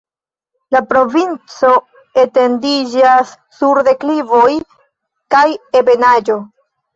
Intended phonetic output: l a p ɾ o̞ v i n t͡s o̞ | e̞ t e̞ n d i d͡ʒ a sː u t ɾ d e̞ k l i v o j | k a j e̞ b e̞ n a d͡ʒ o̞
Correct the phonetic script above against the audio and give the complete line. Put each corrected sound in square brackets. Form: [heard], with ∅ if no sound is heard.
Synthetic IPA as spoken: l a p ɾ o̞ v i n t͡s o̞ | e̞ t e̞ n d i d͡ʒ a sː u [∅] ɾ d e̞ k l i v o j | k a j e̞ b e̞ n a d͡ʒ o̞